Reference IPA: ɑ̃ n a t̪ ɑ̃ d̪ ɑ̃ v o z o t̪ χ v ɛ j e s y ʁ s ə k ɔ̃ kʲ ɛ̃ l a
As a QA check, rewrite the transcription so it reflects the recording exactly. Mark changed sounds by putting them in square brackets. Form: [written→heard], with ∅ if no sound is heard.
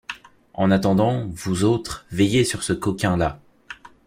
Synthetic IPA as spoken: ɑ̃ n a t̪ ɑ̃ d̪ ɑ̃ v [o→u] z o t̪ χ v ɛ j e s y ʁ s ə k [ɔ̃→ɔ] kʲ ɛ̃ l a